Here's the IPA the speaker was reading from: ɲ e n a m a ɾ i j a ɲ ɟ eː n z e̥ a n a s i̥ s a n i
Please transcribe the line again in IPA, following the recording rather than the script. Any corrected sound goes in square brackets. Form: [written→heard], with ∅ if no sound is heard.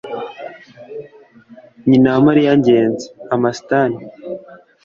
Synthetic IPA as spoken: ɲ [e→i] n a m a ɾ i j a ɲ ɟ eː n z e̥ a [n→m] a s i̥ [s→t] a n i